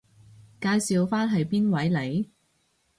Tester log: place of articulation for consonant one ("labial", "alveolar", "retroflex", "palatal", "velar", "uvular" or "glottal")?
velar